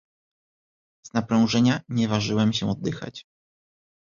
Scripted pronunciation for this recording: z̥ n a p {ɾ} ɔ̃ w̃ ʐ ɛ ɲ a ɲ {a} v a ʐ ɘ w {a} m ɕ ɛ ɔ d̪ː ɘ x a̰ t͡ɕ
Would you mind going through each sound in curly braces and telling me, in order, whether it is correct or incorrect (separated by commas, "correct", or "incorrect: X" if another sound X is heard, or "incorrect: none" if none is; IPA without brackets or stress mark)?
correct, incorrect: ɛ, incorrect: ɛ